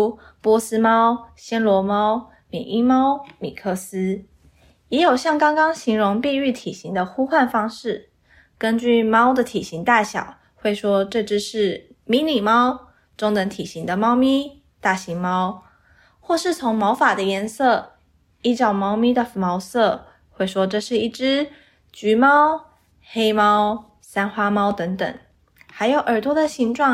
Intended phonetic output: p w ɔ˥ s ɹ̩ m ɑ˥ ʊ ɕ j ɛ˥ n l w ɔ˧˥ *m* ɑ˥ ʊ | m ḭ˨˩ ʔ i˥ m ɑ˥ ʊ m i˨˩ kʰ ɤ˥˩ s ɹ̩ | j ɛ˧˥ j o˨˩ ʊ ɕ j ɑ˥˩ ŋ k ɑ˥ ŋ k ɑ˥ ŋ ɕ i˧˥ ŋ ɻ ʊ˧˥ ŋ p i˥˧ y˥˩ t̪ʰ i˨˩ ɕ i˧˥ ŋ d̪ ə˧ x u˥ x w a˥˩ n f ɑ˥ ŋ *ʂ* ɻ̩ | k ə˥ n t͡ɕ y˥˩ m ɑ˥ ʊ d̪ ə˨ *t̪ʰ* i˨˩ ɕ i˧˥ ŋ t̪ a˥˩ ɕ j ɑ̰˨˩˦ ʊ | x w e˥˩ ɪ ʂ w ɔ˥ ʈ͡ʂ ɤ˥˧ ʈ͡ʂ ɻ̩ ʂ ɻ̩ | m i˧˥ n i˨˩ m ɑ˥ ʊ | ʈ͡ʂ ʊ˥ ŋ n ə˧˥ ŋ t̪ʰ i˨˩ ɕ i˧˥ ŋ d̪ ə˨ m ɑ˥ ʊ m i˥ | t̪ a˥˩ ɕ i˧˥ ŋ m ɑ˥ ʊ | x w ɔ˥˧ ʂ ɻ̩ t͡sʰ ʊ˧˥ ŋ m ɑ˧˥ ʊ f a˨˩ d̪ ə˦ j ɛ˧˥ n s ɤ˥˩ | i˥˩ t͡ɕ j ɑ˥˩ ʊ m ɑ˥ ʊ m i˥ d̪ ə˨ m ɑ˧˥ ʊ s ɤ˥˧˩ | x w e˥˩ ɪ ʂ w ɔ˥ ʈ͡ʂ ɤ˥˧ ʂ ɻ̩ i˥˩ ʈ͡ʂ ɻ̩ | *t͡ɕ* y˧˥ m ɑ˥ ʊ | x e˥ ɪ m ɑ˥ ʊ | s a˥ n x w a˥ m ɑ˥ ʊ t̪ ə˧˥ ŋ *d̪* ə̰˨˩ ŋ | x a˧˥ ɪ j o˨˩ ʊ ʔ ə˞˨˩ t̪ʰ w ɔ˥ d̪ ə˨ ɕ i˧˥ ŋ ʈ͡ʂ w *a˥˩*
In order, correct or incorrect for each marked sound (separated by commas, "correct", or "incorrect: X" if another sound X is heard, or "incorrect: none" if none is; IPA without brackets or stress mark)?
correct, correct, correct, correct, incorrect: t̪, incorrect: ɑ˥˩